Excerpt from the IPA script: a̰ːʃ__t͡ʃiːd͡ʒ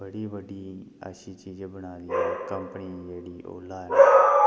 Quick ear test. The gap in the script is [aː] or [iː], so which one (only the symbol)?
iː